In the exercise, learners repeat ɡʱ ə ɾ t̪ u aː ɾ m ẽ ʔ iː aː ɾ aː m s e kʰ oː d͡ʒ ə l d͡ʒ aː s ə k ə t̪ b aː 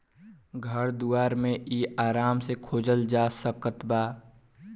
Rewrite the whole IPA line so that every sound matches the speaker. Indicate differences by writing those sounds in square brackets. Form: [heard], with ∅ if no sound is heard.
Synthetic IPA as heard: ɡʱ ə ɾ [d̪] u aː ɾ m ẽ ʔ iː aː ɾ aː m s e kʰ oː d͡ʒ ə l d͡ʒ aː s ə k ə t̪ b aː